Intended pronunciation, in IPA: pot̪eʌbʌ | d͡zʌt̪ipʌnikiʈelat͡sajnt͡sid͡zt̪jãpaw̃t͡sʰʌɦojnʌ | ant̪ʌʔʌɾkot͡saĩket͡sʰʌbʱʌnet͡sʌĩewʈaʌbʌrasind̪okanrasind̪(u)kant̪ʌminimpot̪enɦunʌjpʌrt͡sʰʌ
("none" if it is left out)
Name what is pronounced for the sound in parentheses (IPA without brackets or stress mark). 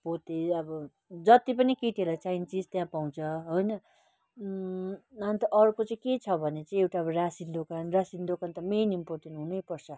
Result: o